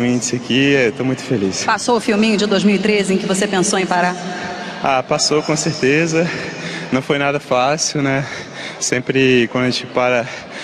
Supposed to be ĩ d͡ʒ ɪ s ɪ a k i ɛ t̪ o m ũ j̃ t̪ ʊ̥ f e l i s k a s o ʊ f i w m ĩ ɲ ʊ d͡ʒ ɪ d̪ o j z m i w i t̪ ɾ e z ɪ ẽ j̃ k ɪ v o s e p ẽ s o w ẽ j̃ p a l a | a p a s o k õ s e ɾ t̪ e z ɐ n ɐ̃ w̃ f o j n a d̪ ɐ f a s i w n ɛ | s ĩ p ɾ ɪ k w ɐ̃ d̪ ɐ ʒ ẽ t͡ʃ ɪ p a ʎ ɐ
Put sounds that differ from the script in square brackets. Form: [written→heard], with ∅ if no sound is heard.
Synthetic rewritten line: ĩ d͡ʒ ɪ s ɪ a k i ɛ t̪ o m ũ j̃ t̪ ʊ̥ f e l i s [k→p] a s o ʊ f i w m ĩ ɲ ʊ d͡ʒ ɪ d̪ o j z m i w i t̪ ɾ e z ɪ ẽ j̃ k ɪ v o s e p ẽ s o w ẽ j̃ p a [l→ɾ] a | a p a s o k õ s e ɾ t̪ e z ɐ n ɐ̃ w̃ f o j n a d̪ ɐ f a s i w n ɛ | s [ĩ→ẽ] p ɾ ɪ k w ɐ̃ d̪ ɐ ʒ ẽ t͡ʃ ɪ p a [ʎ→ɾ] ɐ